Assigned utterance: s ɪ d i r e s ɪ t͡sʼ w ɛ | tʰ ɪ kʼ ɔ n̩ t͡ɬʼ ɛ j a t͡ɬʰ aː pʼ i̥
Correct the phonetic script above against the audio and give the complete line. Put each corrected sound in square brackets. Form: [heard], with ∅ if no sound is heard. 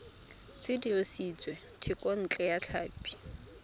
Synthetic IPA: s ɪ d i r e s [i] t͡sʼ w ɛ | tʰ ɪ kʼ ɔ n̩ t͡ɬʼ ɛ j a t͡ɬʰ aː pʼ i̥